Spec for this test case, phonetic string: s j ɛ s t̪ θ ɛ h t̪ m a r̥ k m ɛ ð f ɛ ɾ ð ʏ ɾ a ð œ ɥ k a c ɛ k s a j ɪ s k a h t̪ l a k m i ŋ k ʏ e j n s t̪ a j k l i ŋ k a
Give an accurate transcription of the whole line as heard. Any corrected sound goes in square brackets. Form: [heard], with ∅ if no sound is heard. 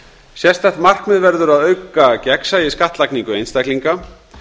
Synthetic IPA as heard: s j ɛ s t̪ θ ɛ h t̪ m a r̥ k m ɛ ð [v] ɛ ɾ ð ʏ ɾ a ð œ ɥ k a c ɛ k s a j ɪ s k a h t̪ l a k [n] i ŋ k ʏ e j n s t̪ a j k l i ŋ k a